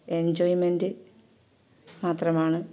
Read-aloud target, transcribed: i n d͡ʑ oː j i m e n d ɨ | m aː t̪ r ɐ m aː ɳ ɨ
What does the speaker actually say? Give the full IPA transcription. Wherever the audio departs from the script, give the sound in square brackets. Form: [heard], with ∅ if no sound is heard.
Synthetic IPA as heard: [e] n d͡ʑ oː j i m e n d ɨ | m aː t̪ r ɐ m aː ɳ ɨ

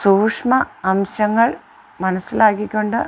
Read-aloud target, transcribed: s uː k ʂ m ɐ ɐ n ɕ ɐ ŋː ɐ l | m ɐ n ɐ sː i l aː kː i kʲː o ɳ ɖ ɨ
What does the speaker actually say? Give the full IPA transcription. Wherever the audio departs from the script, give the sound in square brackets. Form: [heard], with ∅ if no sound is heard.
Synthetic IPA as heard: s uː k ʂ m ɐ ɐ [m] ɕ ɐ ŋː ɐ [ɭ] | m ɐ n ɐ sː i l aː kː i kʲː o ɳ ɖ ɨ

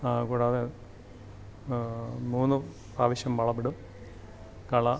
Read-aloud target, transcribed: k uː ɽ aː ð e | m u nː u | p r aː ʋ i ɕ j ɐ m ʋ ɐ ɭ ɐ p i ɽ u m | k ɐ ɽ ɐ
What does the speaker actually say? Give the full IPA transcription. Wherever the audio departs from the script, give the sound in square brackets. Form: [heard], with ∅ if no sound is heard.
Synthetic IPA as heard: k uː ɽ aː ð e | m [uː] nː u | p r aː ʋ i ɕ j ɐ m ʋ ɐ ɭ ɐ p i ɽ u m | k ɐ [ɭ] ɐ

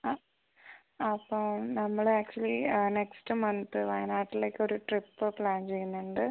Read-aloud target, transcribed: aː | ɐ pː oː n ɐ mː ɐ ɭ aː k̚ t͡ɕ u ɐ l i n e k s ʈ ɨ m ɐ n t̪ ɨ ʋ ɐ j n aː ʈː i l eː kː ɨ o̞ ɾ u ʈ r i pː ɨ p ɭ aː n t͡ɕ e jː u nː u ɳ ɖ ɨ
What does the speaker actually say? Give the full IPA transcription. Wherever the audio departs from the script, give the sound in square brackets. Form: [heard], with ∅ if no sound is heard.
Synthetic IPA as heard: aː | ɐ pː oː n ɐ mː ɐ ɭ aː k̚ t͡ɕ u ɐ l i n e k s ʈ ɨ m ɐ n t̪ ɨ ʋ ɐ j n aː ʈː i l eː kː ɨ o̞ ɾ u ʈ r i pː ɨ p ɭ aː n t͡ɕ e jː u nː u ɳ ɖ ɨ

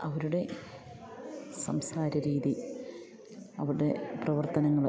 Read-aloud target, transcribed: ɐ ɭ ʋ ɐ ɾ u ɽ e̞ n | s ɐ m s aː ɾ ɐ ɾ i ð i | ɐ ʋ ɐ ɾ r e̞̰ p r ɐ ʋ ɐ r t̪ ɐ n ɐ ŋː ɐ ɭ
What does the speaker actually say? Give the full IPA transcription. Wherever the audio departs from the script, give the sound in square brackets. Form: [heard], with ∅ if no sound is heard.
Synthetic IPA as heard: ɐ [∅] ʋ ɐ ɾ u ɽ e̞ [∅] | s ɐ m s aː ɾ ɐ ɾ [iː] ð i | ɐ ʋ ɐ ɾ [ɽ] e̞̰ p r ɐ ʋ ɐ r t̪ ɐ n ɐ ŋː ɐ ɭ

